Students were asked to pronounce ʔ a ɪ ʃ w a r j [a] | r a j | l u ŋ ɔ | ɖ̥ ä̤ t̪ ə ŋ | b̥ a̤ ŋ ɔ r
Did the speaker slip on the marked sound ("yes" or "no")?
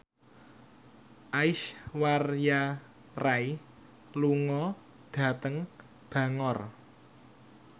no